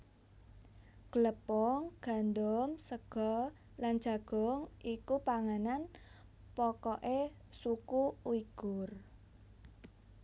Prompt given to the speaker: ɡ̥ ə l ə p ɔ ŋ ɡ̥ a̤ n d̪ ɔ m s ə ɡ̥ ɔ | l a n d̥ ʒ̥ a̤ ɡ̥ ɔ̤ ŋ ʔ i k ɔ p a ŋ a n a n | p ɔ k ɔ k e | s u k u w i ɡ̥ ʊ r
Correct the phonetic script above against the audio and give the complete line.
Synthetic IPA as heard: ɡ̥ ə l ə p ɔ ŋ ɡ̥ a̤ n d̪ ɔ m s ə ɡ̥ ɔ | l a n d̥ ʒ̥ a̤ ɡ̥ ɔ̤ ŋ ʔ i k u p a ŋ a n a n | p ɔ k ɔ ʔ e | s u k u w i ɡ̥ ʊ r